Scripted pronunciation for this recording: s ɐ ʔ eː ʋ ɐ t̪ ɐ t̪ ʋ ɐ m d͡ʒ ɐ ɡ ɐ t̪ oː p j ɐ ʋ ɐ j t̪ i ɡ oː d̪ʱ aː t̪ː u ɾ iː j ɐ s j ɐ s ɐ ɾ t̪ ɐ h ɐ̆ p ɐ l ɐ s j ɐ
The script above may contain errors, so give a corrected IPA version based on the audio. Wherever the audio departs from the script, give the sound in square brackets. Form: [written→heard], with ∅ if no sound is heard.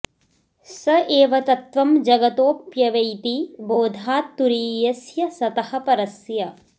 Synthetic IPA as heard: s ɐ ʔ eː ʋ ɐ t̪ ɐ t̪ ʋ ɐ m d͡ʒ ɐ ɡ ɐ t̪ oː p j ɐ ʋ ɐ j t̪ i [ɡ→b] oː d̪ʱ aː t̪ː u ɾ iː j ɐ s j ɐ s ɐ [ɾ→∅] t̪ ɐ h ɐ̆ p ɐ [l→ɾ] ɐ s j ɐ

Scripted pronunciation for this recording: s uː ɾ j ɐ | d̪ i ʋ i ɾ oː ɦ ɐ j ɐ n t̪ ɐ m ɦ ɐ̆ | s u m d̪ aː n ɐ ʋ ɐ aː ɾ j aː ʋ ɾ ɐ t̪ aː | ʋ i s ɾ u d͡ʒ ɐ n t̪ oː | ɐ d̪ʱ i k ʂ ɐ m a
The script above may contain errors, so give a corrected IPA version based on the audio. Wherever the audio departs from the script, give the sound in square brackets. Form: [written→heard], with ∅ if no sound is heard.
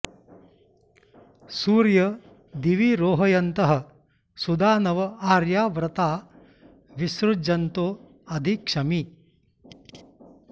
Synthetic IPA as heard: s uː ɾ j ɐ | d̪ i ʋ i ɾ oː ɦ ɐ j ɐ n t̪ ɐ [m→∅] ɦ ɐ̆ | s u [m→∅] d̪ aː n ɐ ʋ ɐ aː ɾ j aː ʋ ɾ ɐ t̪ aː | ʋ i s ɾ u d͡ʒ ɐ n t̪ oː | ɐ d̪ʱ i k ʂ ɐ m [a→i]

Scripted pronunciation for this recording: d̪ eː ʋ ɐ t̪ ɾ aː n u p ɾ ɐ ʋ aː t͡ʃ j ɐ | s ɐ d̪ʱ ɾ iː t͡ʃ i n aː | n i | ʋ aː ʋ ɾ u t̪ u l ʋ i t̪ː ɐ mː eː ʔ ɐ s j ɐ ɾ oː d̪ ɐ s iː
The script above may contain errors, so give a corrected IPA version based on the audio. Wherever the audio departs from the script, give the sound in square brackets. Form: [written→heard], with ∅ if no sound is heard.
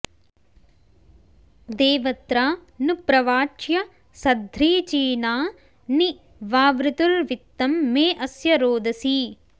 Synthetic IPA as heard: d̪ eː ʋ ɐ t̪ ɾ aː n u p ɾ ɐ ʋ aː t͡ʃ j ɐ | s ɐ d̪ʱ ɾ iː t͡ʃ [i→iː] n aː | n i | ʋ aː ʋ ɾ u t̪ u l ʋ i t̪ː ɐ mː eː ʔ ɐ s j ɐ ɾ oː d̪ ɐ s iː

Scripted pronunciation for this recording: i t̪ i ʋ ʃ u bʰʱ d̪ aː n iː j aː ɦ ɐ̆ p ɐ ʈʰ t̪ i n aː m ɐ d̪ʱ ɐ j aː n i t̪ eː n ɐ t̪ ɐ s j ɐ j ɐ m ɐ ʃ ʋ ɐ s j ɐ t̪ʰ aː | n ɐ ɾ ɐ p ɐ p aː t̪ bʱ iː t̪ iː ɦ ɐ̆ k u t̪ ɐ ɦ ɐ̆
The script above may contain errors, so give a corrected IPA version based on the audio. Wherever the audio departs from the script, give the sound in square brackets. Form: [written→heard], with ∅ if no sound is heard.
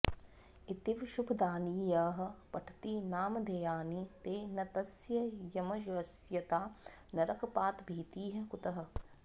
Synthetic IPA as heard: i t̪ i ʋ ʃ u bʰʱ d̪ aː n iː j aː ɦ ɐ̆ p ɐ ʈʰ t̪ i n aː m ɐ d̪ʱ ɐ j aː n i t̪ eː n ɐ t̪ ɐ s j ɐ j ɐ m ɐ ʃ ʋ ɐ s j ɐ [t̪ʰ→t̪] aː | n ɐ ɾ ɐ [p→k] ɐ p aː t̪ bʱ iː t̪ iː ɦ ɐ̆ k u t̪ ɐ ɦ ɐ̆

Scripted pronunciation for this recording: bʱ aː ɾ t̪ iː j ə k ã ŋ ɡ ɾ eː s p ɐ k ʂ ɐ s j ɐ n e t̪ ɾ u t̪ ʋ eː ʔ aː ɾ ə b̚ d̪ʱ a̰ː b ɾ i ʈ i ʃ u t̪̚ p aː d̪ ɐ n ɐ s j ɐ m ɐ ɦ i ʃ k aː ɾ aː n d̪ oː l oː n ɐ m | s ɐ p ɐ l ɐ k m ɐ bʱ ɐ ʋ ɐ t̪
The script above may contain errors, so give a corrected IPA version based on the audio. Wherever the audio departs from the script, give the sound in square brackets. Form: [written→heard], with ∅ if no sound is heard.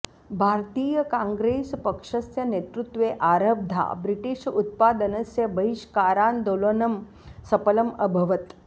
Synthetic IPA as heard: bʱ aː ɾ t̪ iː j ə k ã ŋ ɡ ɾ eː s p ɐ k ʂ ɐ s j ɐ n e t̪ ɾ u t̪ ʋ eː ʔ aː ɾ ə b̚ d̪ʱ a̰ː b ɾ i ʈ i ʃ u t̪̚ p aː d̪ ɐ n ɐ s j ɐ [m→b] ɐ ɦ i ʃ k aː ɾ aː n d̪ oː l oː n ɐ m | s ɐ p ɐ l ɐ [k→∅] m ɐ bʱ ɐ ʋ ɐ t̪

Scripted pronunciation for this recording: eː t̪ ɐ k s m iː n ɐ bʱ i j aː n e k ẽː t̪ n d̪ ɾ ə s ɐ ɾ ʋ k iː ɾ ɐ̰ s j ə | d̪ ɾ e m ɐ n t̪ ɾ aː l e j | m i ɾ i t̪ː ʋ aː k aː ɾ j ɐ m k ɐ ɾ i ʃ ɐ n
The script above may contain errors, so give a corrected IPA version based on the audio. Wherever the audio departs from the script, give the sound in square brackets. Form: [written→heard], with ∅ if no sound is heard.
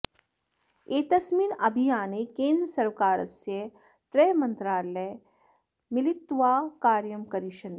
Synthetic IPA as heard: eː t̪ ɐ [k→∅] s m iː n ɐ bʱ i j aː n e k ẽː [t̪→∅] n d̪ ɾ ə s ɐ ɾ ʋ k [iː→aː] ɾ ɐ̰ s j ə | [d̪→t̪] ɾ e m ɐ n t̪ ɾ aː l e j | m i [ɾ→l] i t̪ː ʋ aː k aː ɾ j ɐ m k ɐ ɾ i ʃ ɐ n

